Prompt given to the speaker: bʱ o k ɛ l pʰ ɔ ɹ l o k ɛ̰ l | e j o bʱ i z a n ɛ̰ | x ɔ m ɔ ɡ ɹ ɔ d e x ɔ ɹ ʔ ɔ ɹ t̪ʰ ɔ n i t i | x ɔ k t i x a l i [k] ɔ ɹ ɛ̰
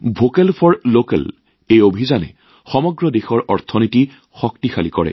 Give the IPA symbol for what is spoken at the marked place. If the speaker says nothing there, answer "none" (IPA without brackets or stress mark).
k